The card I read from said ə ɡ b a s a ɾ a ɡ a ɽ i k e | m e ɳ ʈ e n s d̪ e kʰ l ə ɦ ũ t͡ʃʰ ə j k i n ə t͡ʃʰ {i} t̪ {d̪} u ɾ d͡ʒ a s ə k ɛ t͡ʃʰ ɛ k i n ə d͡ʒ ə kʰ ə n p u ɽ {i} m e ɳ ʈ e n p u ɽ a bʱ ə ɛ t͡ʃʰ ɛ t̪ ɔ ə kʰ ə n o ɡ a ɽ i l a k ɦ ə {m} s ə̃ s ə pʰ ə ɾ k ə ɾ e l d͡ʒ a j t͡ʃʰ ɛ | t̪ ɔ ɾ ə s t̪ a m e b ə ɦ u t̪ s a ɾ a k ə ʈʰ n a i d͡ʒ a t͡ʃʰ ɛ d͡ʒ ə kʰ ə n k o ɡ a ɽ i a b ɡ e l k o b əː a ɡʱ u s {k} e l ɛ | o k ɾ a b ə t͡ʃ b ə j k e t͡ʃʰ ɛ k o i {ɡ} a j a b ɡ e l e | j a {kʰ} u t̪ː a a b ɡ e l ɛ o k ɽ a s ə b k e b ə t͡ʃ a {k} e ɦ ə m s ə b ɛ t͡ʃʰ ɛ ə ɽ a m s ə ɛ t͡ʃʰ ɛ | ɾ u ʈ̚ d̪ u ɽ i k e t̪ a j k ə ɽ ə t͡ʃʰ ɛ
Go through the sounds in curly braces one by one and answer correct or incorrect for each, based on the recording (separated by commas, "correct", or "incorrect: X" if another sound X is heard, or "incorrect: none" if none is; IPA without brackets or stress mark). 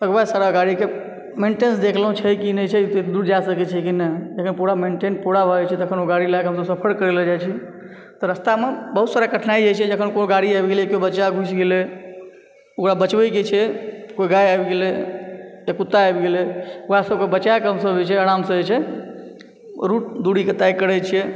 incorrect: ɛ, correct, incorrect: a, correct, incorrect: ɡ, correct, incorrect: k, correct